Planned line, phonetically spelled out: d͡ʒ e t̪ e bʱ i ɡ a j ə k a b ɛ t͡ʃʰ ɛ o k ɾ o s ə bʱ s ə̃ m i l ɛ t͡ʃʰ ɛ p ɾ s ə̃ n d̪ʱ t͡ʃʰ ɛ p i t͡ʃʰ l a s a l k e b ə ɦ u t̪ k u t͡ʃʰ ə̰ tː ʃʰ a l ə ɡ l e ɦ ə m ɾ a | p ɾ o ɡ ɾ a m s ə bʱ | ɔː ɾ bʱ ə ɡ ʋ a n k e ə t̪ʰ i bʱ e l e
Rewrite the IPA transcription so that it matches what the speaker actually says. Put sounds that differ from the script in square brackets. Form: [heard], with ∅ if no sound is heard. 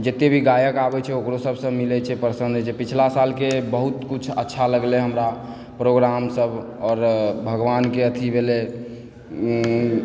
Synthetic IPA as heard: d͡ʒ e t̪ e bʱ i ɡ a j ə k a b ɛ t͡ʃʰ ɛ o k ɾ o s ə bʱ s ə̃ m i l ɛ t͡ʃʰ ɛ p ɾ s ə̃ n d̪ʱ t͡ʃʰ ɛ p i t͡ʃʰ l a s a l k e b ə ɦ u t̪ k u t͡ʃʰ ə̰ tː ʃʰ a l ə ɡ l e ɦ ə m ɾ a | p ɾ o ɡ ɾ a m s ə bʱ | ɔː ɾ bʱ ə ɡ ʋ a n k e ə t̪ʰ i bʱ e l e

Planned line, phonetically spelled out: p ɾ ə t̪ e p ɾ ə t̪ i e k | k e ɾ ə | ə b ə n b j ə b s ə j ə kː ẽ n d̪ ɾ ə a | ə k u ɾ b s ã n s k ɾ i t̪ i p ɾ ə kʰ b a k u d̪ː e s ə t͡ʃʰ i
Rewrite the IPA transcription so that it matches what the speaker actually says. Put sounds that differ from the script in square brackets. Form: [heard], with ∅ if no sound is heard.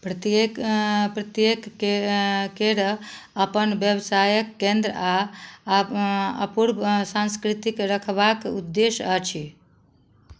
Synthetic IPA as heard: p ɾ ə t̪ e p ɾ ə t̪ [j] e k | k e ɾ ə | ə [p] ə n b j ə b s [a] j ə kː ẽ n d̪ ɾ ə a | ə [p] u ɾ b s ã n s k ɾ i t̪ i [k] ɾ ə kʰ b a k u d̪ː e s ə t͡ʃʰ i

